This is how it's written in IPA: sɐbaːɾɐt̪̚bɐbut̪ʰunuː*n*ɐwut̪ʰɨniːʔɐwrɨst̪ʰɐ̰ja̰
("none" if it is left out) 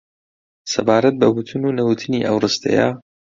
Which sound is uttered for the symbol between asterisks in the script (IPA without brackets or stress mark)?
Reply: n